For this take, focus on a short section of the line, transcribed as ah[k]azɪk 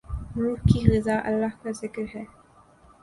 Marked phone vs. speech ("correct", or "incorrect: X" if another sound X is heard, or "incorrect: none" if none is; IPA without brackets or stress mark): correct